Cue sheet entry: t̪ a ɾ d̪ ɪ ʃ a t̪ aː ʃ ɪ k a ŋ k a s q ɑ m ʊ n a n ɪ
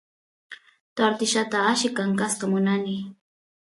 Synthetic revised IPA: t̪ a ɾ t̪ ɪ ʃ a t̪ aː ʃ ɪ k a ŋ k a s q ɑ m ʊ n a n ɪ